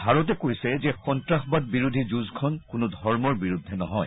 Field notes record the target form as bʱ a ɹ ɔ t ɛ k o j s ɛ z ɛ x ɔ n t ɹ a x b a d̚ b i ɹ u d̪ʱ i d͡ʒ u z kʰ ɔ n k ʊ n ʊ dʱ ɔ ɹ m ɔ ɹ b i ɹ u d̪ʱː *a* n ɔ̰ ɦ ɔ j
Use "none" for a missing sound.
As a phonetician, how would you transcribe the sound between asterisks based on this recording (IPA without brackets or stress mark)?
ɛ